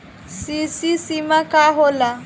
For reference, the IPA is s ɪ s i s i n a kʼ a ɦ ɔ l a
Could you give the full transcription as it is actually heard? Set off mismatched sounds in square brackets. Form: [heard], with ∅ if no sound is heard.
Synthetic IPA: s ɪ s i s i [m] a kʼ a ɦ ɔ l a